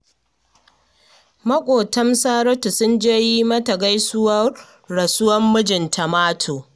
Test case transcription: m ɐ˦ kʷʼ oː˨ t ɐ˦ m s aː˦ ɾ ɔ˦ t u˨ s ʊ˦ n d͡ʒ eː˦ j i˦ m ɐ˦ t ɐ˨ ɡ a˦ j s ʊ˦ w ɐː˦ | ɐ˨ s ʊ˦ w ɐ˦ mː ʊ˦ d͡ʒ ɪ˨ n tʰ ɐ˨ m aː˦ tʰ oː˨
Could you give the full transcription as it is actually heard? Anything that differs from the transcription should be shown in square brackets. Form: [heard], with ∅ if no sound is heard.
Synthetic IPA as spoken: m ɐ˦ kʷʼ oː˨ t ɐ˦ m s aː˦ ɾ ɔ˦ t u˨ s ʊ˦ n d͡ʒ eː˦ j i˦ m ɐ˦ t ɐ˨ ɡ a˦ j s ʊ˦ w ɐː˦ | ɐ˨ s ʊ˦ w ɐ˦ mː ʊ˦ d͡ʒ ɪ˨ n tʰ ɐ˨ m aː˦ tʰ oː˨